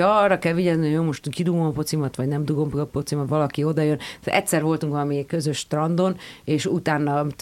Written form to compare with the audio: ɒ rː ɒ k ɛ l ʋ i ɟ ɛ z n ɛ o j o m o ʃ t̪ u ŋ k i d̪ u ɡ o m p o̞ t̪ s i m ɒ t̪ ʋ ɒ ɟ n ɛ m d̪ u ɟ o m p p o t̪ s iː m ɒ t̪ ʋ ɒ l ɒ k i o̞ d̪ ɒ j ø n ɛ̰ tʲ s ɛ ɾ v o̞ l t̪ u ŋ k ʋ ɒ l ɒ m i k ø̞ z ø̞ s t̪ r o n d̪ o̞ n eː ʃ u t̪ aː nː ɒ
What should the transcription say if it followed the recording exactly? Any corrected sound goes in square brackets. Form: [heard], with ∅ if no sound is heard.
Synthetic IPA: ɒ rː ɒ k ɛ l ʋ i ɟ ɛ z n [i] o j o m o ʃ t̪ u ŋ k i d̪ u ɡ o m p o̞ t̪ s i m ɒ t̪ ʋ ɒ ɟ n ɛ m d̪ u [ɡ] o m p p o t̪ s [i] m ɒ t̪ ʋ ɒ l ɒ k i o̞ d̪ ɒ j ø n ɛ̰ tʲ s ɛ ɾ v o̞ l t̪ u ŋ k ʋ ɒ l ɒ m i k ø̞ z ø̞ [ʃ] t̪ r [ɒ] n d̪ o̞ n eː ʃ u t̪ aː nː ɒ